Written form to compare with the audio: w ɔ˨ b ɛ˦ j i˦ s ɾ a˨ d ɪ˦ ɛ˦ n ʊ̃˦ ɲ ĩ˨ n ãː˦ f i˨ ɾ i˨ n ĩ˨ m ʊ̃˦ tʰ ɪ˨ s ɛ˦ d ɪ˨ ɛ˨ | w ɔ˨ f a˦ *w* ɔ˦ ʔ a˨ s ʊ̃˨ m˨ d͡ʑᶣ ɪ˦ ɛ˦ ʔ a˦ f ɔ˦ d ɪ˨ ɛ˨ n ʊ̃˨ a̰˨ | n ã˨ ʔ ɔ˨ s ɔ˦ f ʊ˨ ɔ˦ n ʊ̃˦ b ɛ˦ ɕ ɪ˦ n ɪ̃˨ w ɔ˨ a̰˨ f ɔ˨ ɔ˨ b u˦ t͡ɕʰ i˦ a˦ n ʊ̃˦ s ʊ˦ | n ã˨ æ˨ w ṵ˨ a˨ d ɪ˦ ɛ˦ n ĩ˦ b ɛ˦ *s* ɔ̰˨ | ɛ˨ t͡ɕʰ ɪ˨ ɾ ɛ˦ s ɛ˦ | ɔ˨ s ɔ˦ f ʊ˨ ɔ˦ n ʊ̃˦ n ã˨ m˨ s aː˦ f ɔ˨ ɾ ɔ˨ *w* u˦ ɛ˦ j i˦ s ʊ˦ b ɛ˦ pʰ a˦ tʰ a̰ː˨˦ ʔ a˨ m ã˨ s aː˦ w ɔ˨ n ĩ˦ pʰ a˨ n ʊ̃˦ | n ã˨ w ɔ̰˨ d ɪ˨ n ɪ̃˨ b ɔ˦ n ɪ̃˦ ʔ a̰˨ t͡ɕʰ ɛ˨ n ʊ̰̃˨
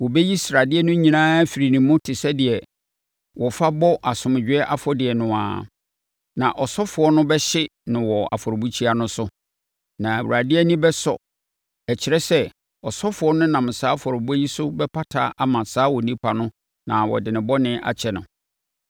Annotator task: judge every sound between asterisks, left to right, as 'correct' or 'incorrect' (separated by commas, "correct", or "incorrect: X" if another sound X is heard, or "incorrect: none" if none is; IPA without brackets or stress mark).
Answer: incorrect: b, correct, incorrect: b